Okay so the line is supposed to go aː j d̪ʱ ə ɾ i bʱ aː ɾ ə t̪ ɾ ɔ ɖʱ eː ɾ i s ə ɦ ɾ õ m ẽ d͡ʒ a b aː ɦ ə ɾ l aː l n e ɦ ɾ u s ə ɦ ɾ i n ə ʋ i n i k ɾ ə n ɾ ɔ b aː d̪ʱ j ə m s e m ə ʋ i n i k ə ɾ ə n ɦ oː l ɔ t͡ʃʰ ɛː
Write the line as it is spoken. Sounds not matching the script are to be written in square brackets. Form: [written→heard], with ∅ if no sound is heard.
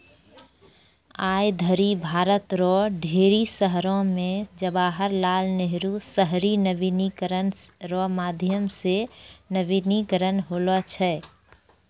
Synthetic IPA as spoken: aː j d̪ʱ ə ɾ i bʱ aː ɾ ə t̪ ɾ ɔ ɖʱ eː ɾ i s ə ɦ ɾ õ m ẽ d͡ʒ [a→ə] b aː ɦ ə ɾ l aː l n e ɦ ɾ u s ə ɦ ɾ i n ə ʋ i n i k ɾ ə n ɾ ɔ [b→m] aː d̪ʱ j ə m s e [m→n] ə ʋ i n i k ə ɾ ə n ɦ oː l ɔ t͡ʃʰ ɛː